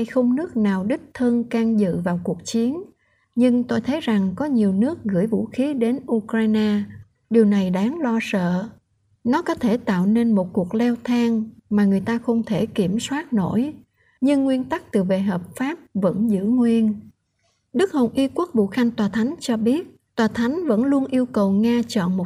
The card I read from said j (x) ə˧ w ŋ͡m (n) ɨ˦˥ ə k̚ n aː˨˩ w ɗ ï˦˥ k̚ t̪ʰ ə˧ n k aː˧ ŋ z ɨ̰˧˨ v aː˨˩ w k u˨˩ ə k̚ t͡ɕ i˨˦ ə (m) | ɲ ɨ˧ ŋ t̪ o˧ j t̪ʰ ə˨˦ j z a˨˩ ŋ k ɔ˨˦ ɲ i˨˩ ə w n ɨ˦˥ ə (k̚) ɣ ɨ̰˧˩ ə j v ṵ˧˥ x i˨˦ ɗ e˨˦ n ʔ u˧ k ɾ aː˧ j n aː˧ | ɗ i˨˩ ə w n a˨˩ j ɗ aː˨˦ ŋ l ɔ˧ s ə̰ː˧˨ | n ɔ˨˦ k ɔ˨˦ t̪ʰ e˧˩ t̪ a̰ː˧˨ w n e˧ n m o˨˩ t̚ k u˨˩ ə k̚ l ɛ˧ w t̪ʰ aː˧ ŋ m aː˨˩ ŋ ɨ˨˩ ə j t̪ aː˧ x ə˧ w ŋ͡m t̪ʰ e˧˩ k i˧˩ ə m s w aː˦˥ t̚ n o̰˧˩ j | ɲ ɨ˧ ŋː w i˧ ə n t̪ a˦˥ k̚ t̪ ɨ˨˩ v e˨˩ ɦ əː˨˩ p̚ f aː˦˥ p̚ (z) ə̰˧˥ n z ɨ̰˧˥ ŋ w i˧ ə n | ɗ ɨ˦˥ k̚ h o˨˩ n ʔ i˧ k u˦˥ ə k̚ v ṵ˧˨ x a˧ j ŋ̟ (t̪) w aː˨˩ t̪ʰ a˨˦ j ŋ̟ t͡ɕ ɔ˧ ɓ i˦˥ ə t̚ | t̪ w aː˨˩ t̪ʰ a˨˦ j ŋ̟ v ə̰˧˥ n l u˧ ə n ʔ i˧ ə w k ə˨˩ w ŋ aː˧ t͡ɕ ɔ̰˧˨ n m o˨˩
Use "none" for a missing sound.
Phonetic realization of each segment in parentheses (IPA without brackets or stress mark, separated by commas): x, n, n, k̚, v, t̪